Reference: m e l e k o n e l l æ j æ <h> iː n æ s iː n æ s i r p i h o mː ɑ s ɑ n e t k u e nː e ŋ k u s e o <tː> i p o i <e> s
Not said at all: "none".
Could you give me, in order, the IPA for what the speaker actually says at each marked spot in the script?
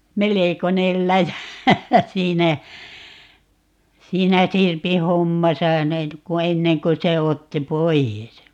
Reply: s, tː, e

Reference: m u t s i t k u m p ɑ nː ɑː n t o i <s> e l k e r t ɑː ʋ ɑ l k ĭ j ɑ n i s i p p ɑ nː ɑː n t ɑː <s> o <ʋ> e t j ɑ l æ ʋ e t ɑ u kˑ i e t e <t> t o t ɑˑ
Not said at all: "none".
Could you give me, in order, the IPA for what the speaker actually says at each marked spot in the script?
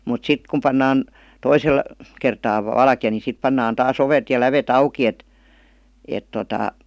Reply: s, s, ʋ, t

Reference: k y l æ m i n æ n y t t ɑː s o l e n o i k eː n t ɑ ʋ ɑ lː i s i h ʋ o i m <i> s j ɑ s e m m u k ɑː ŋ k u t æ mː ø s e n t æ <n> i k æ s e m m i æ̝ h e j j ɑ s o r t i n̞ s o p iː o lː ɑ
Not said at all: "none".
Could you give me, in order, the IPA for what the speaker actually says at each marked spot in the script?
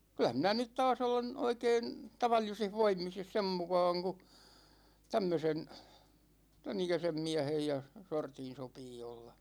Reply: i, n

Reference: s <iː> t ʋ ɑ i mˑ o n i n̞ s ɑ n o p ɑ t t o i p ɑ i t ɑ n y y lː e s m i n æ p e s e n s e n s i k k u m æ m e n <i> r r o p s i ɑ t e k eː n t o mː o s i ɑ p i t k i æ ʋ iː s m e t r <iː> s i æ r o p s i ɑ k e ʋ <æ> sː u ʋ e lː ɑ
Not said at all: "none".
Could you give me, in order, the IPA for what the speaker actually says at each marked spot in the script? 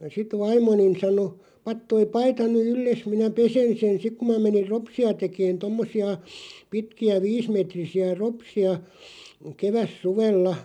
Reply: i, i, i, æ

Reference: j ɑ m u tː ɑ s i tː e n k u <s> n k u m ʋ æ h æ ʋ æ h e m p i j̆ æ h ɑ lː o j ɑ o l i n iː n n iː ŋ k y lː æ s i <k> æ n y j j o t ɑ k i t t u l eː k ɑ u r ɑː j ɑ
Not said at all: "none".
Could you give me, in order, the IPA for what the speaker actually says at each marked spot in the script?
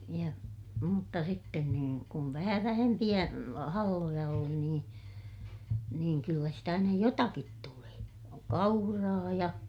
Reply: none, t

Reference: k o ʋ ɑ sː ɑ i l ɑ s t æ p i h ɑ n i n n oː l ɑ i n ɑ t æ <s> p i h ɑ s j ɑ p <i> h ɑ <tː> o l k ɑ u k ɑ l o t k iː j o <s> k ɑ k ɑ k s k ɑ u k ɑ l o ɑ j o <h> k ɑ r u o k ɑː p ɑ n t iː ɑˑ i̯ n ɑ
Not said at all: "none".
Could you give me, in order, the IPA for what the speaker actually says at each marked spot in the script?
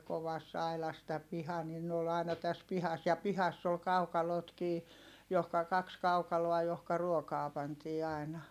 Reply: s, i, sː, h, h

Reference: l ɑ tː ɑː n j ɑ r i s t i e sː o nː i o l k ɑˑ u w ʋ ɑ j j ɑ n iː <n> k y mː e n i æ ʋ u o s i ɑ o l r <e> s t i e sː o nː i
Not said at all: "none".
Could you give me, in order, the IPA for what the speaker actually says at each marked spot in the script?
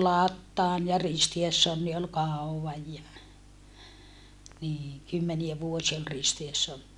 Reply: ŋ, i

